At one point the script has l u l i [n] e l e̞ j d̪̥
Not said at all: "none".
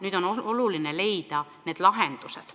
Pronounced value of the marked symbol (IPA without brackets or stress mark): n